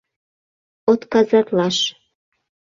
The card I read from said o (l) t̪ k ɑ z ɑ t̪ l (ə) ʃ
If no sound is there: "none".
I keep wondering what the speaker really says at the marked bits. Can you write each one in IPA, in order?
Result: none, ɑ

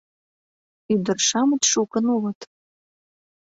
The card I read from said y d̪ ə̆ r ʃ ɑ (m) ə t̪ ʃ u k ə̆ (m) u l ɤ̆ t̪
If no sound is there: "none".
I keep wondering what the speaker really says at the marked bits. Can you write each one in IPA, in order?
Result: m, n

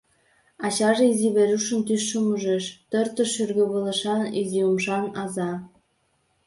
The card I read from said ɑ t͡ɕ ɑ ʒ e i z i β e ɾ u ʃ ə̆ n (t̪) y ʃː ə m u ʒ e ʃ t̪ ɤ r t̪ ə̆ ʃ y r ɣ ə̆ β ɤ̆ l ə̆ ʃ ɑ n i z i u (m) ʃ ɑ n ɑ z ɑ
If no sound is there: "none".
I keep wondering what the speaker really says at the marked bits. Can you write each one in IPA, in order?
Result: t̪, m

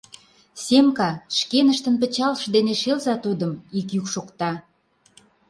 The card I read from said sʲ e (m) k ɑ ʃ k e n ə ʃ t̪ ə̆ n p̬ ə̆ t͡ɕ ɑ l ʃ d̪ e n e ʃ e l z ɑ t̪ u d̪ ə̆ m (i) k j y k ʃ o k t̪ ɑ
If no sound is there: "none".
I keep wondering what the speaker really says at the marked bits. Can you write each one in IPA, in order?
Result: m, i

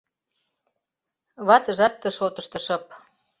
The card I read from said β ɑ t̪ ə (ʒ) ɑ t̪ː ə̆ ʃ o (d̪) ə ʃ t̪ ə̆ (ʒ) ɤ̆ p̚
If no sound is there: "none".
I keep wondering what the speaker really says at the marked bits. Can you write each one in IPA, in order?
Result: ʒ, t̪, ʃ

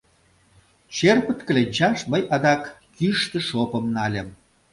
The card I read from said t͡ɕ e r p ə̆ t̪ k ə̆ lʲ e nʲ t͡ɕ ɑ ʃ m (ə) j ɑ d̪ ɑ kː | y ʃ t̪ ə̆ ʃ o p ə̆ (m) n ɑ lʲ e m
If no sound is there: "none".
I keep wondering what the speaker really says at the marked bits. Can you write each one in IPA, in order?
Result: ə, m

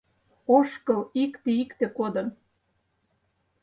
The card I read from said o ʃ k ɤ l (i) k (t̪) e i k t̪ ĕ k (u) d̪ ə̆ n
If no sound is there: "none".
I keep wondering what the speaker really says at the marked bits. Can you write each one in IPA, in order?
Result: i, t̪, o

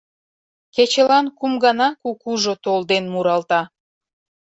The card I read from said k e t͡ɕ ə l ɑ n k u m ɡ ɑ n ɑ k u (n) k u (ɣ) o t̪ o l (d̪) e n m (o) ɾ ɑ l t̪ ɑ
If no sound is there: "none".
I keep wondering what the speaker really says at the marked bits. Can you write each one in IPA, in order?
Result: none, ʒ, d̪, u

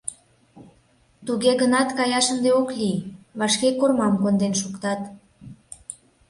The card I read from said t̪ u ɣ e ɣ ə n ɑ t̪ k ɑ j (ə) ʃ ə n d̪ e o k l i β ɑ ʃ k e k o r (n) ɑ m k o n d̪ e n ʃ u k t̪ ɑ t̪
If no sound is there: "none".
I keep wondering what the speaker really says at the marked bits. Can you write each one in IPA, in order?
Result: ɑ, m

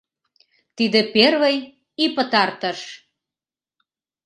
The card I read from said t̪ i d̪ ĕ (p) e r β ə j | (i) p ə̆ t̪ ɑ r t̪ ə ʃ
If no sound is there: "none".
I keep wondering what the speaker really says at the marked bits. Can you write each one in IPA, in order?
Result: p, i

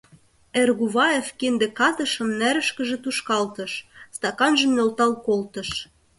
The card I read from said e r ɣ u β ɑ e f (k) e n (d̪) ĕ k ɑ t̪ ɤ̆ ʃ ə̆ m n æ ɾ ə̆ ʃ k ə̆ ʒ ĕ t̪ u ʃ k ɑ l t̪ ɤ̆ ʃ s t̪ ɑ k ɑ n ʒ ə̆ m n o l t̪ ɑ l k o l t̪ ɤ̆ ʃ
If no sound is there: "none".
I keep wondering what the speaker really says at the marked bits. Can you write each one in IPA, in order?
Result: k, d̪

